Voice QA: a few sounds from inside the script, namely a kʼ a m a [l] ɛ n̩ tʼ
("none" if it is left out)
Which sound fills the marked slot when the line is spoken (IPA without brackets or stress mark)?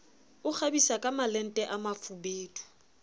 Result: l